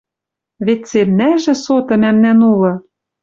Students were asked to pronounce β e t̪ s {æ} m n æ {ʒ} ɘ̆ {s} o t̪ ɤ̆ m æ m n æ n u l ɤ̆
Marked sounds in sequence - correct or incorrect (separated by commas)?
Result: incorrect, correct, correct